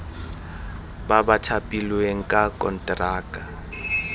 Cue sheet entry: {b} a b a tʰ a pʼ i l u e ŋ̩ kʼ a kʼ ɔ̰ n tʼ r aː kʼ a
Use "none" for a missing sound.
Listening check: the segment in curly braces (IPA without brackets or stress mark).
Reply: b